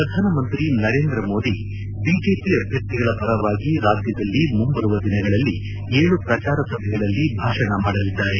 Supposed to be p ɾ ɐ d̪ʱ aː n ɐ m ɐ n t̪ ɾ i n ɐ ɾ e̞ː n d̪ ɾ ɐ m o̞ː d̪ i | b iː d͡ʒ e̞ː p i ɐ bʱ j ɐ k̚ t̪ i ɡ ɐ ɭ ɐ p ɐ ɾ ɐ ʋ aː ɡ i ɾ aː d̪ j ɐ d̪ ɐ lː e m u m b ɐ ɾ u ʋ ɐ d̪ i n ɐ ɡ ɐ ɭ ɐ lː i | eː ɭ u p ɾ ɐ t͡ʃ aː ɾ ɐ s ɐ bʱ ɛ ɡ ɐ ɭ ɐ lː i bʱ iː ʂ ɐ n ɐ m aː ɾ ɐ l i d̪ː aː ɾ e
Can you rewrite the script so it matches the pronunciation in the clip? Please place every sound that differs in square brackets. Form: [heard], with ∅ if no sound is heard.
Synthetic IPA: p ɾ ɐ d̪ʱ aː n ɐ m ɐ n t̪ ɾ i n ɐ ɾ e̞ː n d̪ ɾ ɐ m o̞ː d̪ i | b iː d͡ʒ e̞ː p i ɐ bʱ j ɐ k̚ t̪ i ɡ ɐ ɭ ɐ p ɐ ɾ ɐ ʋ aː ɡ i ɾ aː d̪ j ɐ d̪ ɐ lː [i] m u m b ɐ ɾ u ʋ ɐ d̪ i n ɐ ɡ ɐ ɭ ɐ lː i | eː ɭ u p ɾ ɐ t͡ʃ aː ɾ ɐ s ɐ bʱ ɛ ɡ ɐ ɭ ɐ lː i bʱ [aː] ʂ ɐ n ɐ m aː [ɽ] ɐ l i d̪ː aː ɾ e